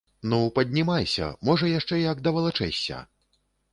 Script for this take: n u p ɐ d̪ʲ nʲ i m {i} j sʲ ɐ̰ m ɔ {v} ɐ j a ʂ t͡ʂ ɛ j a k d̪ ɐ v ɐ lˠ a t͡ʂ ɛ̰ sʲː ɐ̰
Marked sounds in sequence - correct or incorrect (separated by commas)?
incorrect, incorrect